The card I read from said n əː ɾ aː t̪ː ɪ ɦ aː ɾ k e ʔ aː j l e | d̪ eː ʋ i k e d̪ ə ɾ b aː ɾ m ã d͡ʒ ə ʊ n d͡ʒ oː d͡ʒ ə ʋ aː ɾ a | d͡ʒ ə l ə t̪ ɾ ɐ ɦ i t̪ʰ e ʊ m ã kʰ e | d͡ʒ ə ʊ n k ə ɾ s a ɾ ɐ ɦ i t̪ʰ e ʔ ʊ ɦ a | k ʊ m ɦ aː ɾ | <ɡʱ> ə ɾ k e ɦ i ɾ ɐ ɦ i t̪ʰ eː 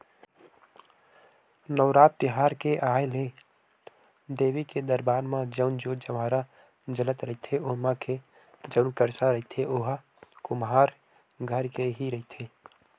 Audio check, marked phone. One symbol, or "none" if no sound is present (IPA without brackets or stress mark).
ɡʱ